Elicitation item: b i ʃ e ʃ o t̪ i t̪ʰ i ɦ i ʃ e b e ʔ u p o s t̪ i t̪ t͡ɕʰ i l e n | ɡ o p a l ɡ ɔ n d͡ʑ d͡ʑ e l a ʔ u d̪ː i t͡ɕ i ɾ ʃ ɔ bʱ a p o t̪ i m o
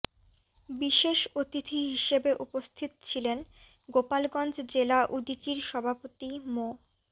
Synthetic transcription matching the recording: b i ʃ e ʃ o t̪ i t̪ʰ i ɦ i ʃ e b e ʔ u p o s t̪ʰ i t̪ t͡ɕʰ i l e n | ɡ o p a l ɡ ɔ n d͡ʑ d͡ʑ e l a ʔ u d̪ i t͡ɕ i ɾ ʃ ɔ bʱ a p o t̪ i m o